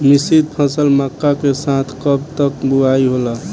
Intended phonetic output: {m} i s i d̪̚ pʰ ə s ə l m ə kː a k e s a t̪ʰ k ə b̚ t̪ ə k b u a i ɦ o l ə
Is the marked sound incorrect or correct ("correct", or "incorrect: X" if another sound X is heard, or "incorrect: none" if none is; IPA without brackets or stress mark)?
correct